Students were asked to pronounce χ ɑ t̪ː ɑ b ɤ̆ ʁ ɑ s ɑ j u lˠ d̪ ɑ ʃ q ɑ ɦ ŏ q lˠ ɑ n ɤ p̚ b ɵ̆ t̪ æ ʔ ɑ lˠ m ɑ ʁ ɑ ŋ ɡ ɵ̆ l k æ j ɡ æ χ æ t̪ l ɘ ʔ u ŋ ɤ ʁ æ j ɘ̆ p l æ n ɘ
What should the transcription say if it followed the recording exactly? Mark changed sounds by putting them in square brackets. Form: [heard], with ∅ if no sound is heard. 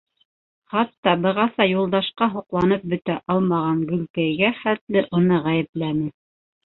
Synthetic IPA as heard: χ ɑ t̪ː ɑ b ɤ̆ ʁ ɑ s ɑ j u lˠ d̪ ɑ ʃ q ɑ ɦ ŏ q lˠ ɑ n ɤ p̚ b ɵ̆ t̪ æ ʔ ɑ lˠ m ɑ ʁ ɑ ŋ ɡ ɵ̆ l k æ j ɡ æ χ æ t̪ l ɘ ʔ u [n] ɤ ʁ æ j ɘ̆ p l æ n ɘ